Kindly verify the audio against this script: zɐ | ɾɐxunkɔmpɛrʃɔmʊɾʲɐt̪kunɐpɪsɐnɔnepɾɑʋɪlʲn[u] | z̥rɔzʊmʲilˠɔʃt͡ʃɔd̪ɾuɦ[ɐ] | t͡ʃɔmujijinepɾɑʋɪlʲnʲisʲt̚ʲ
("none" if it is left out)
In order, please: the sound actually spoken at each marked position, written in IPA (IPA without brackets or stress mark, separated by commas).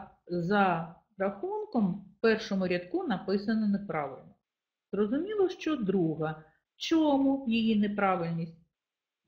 ɔ, ɐ